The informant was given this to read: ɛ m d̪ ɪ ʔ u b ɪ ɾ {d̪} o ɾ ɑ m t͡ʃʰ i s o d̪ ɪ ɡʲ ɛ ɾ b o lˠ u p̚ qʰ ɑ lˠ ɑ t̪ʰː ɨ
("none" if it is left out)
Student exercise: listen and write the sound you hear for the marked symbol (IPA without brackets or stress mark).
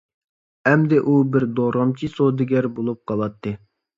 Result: d̪